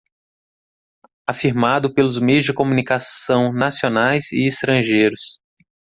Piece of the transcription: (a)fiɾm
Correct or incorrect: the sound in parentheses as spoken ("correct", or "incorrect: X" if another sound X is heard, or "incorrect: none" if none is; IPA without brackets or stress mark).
correct